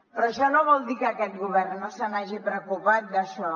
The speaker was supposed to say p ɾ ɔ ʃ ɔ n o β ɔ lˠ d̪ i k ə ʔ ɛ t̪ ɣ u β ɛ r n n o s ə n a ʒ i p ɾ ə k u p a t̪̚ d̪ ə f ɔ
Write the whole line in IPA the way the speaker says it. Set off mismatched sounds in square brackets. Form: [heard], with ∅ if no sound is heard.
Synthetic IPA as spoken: p ɾ ɔ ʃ ɔ n o β ɔ lˠ d̪ i k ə [k] ɛ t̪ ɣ u β ɛ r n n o s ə n a ʒ i p ɾ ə k u p a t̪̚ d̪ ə [ʃ] ɔ